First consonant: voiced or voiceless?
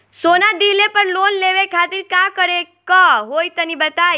voiceless